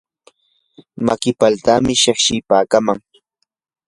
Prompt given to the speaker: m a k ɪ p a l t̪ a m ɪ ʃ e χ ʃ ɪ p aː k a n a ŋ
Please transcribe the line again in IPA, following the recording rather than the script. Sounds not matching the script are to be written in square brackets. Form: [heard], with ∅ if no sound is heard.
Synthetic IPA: m a k ɪ p a l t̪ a m ɪ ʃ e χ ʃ ɪ p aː k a [m] a ŋ